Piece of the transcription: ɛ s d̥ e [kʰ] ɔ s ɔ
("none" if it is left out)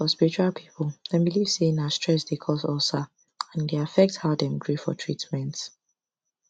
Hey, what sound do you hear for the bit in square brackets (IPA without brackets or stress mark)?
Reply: kʰ